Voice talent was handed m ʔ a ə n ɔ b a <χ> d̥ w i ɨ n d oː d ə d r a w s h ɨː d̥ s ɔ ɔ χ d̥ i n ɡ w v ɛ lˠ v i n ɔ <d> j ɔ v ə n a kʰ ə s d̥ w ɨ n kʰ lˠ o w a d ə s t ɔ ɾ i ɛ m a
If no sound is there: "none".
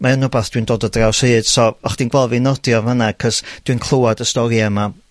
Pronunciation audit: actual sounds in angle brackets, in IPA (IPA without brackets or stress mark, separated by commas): θ, d